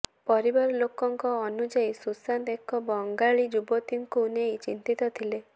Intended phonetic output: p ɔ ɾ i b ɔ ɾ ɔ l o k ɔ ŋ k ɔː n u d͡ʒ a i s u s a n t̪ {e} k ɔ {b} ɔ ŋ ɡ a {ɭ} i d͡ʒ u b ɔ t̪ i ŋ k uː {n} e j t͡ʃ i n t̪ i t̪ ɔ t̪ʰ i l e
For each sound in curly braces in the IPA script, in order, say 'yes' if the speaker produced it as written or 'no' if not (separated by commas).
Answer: yes, yes, yes, yes